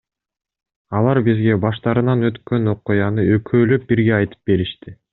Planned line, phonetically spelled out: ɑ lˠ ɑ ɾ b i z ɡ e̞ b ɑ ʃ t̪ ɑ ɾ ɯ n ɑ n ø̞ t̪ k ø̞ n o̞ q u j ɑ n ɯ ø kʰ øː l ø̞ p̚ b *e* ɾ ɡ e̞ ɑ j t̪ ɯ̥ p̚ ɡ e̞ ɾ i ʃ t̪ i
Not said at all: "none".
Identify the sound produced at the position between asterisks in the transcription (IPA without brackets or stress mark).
i